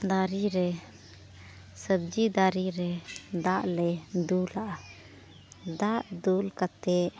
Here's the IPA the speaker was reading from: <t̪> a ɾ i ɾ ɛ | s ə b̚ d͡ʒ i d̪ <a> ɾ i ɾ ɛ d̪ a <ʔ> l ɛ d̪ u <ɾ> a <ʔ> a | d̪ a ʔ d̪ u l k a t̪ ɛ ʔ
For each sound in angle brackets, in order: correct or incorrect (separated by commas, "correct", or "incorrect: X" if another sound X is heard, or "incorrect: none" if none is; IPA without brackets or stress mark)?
incorrect: d̪, correct, correct, incorrect: l, correct